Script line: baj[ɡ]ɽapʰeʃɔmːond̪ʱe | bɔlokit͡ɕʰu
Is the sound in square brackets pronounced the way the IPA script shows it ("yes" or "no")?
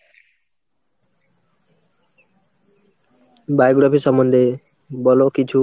yes